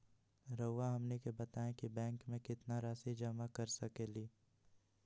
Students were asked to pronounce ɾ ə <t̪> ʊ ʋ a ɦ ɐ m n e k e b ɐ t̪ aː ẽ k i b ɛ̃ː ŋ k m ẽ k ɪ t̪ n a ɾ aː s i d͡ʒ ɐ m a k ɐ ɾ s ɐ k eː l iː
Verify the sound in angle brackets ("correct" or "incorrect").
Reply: incorrect